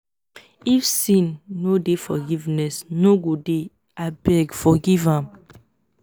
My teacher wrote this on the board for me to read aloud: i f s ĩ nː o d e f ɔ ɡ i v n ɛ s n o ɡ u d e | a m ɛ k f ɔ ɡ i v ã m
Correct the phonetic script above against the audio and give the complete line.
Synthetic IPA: i f s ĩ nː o d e f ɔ ɡ i v n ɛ s n o ɡ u d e | a b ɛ ɡ f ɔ ɡ i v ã m